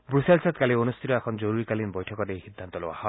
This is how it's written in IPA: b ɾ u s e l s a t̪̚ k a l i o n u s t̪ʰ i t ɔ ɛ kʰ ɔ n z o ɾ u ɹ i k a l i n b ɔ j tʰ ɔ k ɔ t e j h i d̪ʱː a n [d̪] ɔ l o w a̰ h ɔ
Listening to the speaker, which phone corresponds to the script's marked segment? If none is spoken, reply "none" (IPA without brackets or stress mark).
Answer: t̪